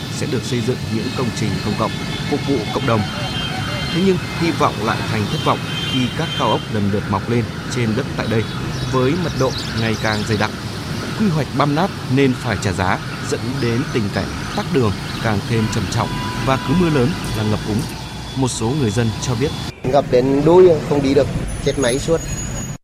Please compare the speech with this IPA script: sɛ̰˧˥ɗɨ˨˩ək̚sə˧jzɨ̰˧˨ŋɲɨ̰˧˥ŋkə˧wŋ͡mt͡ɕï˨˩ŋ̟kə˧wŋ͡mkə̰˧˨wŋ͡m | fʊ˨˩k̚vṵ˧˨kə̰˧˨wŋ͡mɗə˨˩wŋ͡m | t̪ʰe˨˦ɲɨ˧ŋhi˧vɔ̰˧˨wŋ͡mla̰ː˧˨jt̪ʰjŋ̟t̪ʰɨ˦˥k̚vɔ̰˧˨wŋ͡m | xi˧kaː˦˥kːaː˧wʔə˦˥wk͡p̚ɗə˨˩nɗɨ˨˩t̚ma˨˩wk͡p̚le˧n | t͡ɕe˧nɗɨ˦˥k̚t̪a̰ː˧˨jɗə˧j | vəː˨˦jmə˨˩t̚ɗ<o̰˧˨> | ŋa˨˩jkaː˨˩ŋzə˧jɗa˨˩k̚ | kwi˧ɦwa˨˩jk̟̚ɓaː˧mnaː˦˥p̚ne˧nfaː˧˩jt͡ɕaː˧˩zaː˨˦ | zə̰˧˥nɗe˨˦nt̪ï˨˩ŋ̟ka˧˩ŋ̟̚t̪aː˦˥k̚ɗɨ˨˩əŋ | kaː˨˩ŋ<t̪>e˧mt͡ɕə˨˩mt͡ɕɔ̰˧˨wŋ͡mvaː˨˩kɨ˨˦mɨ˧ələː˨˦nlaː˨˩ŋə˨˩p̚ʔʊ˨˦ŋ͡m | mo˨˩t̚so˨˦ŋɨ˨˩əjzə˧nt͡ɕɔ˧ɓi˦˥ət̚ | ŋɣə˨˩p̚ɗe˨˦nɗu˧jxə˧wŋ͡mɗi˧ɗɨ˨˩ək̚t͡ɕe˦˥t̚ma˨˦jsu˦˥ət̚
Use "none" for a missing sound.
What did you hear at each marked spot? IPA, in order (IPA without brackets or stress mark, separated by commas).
o̰˧˨, t̪ʰ